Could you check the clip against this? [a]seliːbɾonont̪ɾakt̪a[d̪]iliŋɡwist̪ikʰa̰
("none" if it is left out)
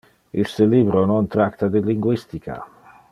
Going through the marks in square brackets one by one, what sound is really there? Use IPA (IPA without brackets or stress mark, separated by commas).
i, d̪